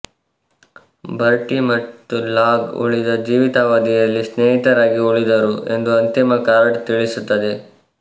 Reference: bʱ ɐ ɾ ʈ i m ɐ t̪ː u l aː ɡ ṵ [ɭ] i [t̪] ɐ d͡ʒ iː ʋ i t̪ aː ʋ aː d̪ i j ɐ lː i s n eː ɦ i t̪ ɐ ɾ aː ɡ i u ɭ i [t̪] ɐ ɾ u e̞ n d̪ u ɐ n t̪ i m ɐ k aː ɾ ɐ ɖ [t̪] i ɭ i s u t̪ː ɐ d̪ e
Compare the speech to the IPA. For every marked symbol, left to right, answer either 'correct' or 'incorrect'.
correct, incorrect: d̪, incorrect: d̪, correct

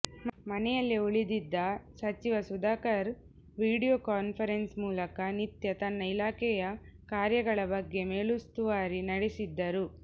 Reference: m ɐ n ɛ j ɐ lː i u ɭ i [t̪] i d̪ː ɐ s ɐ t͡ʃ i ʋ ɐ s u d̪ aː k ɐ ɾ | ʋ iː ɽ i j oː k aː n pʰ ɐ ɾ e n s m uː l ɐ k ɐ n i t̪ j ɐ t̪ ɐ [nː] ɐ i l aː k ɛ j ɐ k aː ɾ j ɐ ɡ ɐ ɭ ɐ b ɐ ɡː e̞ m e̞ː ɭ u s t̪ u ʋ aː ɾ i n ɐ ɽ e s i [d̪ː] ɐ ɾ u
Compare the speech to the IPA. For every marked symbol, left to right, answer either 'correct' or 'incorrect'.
incorrect: d̪, correct, correct

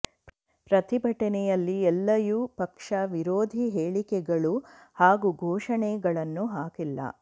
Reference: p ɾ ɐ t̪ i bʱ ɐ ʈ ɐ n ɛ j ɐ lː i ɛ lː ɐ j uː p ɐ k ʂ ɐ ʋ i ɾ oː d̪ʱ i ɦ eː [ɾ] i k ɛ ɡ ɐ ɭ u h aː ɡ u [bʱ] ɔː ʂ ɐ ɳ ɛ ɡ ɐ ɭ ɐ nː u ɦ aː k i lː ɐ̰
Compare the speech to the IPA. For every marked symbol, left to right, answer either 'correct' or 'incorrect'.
incorrect: ɭ, incorrect: ɡʱ

